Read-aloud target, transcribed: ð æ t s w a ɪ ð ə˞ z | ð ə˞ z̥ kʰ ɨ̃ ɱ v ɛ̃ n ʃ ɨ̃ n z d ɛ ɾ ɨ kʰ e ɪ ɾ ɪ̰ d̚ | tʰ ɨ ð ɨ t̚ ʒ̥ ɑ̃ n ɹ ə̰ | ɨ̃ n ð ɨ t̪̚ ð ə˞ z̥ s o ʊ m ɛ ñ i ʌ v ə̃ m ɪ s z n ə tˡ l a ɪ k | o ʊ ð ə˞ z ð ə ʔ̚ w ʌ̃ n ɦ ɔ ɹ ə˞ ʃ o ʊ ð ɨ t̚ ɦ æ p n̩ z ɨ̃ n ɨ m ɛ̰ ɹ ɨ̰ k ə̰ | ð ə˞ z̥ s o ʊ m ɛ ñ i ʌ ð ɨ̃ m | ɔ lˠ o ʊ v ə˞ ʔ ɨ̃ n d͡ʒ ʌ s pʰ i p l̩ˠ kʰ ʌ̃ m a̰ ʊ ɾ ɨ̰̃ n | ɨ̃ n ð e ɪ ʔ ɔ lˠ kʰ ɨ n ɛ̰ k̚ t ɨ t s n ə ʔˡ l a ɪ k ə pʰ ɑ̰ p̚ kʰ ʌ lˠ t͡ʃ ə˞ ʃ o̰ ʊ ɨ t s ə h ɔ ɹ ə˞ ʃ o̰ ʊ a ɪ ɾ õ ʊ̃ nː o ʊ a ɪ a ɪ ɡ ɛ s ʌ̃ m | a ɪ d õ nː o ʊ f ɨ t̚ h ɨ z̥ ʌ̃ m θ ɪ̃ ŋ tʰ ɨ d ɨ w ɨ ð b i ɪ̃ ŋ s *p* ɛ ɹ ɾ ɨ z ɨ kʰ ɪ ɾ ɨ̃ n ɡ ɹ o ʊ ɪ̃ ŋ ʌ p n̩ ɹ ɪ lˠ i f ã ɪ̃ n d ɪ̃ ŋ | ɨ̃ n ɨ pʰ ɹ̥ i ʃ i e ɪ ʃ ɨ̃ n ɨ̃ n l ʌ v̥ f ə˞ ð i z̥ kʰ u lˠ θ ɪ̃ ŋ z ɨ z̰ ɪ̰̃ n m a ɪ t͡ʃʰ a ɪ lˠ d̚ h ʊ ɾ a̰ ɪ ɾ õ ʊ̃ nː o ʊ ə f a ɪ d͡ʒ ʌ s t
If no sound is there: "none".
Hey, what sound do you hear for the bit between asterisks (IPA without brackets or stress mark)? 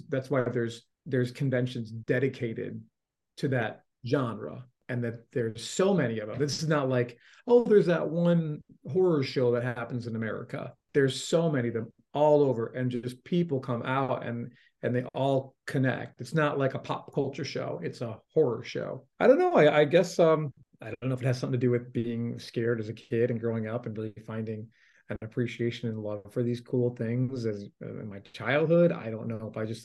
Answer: k